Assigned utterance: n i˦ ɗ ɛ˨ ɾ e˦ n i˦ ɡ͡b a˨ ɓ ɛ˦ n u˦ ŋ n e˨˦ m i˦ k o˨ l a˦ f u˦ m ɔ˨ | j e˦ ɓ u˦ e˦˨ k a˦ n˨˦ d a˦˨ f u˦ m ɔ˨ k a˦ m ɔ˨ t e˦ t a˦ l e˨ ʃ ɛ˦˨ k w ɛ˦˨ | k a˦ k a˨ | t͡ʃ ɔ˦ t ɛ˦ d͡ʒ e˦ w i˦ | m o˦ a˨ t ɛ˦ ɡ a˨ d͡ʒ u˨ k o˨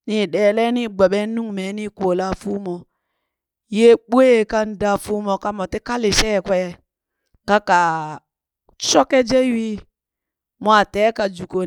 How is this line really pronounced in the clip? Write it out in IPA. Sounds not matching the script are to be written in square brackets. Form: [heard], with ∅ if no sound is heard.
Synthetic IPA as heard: n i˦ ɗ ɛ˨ [l] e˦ n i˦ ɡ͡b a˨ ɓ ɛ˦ n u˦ ŋ [m] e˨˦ [n] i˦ k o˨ l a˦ f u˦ m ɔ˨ | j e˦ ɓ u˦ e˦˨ k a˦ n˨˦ d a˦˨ f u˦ m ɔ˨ k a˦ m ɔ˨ t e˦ [k] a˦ l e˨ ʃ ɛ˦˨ k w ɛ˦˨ | k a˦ k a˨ | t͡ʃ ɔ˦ [k] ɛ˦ d͡ʒ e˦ w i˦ | m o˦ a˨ t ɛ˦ [k] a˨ d͡ʒ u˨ k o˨